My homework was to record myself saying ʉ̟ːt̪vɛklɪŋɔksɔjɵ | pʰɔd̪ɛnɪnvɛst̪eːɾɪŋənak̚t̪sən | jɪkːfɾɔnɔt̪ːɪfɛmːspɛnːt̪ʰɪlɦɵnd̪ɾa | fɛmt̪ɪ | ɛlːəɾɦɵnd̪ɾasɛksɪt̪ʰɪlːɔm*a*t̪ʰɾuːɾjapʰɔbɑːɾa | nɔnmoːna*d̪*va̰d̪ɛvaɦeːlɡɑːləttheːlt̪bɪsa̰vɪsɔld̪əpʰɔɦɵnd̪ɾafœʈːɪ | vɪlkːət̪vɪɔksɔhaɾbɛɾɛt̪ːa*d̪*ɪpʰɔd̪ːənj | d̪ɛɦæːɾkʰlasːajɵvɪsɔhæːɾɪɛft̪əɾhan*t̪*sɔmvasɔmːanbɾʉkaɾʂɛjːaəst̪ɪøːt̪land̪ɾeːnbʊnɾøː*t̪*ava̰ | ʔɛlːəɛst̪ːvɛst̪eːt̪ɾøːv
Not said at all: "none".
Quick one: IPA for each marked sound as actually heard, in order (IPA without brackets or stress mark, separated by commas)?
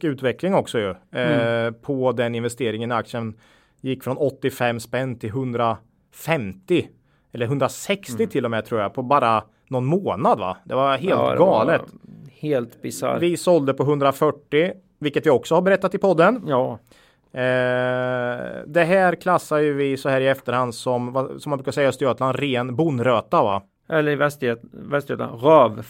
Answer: ɛ, d̪, t̪, d̪, t̪